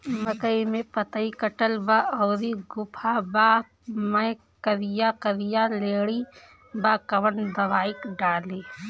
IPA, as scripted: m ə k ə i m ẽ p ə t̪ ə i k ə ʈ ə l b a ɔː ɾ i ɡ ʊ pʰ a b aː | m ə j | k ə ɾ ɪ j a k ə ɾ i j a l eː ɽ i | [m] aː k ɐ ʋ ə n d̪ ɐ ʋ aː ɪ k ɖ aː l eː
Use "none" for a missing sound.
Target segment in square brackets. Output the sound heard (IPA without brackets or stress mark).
b